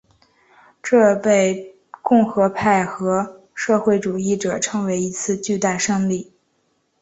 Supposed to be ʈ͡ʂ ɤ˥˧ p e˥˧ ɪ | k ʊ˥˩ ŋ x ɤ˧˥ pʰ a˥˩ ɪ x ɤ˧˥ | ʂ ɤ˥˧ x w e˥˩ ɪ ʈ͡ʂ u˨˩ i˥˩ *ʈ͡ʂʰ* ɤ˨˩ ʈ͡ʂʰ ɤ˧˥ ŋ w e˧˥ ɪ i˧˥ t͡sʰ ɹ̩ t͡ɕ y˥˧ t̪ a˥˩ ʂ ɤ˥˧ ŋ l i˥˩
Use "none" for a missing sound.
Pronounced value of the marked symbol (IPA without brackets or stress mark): ʈ͡ʂ